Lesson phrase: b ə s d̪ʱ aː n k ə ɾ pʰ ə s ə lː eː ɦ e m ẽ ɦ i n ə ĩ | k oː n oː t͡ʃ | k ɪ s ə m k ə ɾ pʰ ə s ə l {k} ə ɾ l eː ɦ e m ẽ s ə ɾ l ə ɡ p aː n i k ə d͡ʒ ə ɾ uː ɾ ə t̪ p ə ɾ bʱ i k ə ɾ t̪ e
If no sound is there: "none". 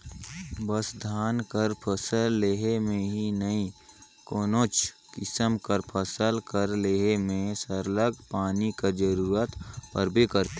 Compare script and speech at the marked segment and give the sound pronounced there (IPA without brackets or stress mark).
k